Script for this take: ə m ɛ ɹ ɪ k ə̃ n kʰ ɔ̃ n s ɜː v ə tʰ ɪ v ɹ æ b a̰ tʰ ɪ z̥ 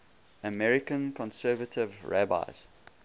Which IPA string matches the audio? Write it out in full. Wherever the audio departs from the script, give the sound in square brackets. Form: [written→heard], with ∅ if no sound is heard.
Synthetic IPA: ə m ɛ ɹ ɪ k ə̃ n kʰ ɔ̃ n s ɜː v ə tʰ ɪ v ɹ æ b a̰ [tʰ→∅] ɪ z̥